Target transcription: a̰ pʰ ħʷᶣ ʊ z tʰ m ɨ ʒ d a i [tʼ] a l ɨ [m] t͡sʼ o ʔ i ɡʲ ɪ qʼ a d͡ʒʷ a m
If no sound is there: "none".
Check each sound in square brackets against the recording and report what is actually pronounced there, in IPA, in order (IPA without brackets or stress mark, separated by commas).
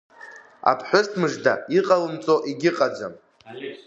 qʼ, m